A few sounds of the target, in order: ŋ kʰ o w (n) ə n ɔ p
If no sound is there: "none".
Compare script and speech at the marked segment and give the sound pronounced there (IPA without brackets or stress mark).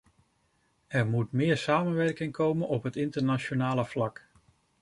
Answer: m